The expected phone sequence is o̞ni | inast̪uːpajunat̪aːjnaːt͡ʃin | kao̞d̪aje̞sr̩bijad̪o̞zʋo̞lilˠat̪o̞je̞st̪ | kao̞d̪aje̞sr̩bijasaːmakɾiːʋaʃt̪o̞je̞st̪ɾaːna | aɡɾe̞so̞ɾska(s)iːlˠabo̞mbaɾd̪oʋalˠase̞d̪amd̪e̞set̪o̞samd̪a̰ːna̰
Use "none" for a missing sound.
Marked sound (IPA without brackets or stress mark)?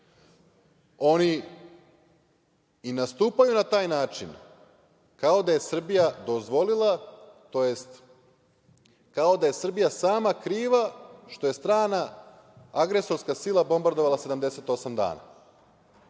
s